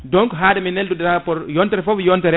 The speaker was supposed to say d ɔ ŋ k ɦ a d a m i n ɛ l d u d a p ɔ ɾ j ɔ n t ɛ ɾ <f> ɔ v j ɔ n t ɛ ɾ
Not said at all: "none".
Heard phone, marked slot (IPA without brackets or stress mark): f